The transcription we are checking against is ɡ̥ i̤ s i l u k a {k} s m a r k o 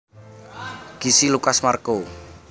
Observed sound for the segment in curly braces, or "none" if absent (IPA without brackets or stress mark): none